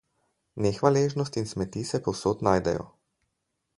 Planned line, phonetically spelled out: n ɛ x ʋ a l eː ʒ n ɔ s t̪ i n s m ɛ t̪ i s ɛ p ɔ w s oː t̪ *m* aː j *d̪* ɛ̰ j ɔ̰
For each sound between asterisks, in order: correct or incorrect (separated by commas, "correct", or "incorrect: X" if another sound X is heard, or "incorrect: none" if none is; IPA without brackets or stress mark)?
incorrect: n, correct